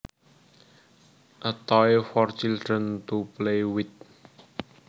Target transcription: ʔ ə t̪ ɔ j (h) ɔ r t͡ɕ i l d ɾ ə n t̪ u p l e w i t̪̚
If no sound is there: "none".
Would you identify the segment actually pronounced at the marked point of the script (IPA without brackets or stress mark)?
f